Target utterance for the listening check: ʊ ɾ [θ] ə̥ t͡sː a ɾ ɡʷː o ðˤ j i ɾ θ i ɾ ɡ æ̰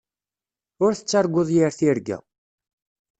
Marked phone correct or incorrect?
correct